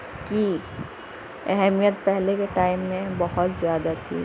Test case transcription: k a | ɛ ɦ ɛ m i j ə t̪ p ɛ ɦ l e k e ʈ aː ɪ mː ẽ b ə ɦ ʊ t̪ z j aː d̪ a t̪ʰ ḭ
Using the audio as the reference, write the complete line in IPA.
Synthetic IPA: k i | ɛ ɦ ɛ m i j ə t̪ p ɛ ɦ l e k e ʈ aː ɪ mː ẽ b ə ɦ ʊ t̪ z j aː d̪ a t̪ʰ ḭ

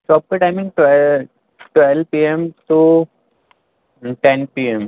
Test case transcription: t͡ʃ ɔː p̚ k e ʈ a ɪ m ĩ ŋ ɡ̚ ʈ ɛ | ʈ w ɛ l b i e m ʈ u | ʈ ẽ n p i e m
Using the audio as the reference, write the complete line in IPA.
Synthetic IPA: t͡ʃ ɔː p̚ k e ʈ a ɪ m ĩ ŋ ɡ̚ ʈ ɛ | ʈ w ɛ l p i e m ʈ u | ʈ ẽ n p i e m

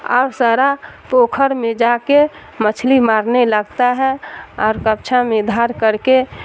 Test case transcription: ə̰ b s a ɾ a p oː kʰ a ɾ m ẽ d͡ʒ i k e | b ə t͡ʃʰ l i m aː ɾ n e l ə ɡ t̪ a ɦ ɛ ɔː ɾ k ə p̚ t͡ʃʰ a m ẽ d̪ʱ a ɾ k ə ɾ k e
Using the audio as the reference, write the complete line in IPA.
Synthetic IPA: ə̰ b s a ɾ a p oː kʰ ə ɾ m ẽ d͡ʒ a k e | m ə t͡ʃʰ l i m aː ɾ n e l ə ɡ t̪ a ɦ ɛ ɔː ɾ k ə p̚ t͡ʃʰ a m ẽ d̪ʱ a ɾ k ə ɾ k e

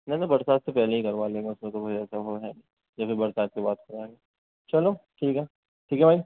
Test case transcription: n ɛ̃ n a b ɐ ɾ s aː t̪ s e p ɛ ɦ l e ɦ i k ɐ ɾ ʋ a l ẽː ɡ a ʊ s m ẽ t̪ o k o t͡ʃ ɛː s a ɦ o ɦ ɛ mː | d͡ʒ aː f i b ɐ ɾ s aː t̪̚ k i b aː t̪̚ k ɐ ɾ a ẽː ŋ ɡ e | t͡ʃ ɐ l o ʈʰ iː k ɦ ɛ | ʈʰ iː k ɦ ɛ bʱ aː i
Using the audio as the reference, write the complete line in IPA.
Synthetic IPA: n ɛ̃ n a b ɐ ɾ s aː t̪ s e p ɛ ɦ l e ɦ i k ɐ ɾ ʋ a l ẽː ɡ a ʊ s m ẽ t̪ o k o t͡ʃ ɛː s a ɦ o ɦ ɛ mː | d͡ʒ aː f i b ɐ ɾ s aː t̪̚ k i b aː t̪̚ k ɐ ɾ a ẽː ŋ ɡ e | t͡ʃ ɐ l o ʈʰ iː k ɦ ɛ | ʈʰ iː k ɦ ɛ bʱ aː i

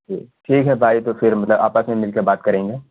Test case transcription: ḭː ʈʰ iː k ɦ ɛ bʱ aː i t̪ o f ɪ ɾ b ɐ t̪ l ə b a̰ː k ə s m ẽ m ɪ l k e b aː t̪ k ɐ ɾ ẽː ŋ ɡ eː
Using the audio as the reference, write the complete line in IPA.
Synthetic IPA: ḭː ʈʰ iː k ɦ ɛ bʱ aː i t̪ o f ɪ ɾ m ɐ t̪ l ə b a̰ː p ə s m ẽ m ɪ l k e b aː t̪ k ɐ ɾ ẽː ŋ ɡ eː

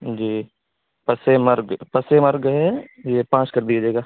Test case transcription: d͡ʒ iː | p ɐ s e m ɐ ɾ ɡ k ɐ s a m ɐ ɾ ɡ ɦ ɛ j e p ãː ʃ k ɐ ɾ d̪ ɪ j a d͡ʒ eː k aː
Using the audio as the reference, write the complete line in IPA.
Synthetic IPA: d͡ʒ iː | p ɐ s e m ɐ ɾ ɡ p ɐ s e m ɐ ɾ ɡ ɦ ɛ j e p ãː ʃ k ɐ ɾ d̪ i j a d͡ʒ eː ɡ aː

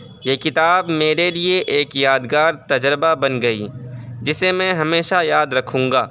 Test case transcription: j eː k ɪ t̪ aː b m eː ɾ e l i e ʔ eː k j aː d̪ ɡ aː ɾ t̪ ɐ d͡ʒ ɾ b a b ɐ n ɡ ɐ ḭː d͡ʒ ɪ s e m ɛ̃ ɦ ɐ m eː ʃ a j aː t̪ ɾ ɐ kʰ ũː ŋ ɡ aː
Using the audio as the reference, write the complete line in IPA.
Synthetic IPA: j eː k ɪ t̪ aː b m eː ɾ e l i e ʔ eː k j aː d̪ ɡ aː ɾ t̪ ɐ d͡ʒ ɾ b a b ɐ n ɡ ɐ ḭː d͡ʒ ɪ s e m ɛ̃ ɦ ɐ m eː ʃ a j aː d̪ ɾ ɐ kʰ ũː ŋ ɡ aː

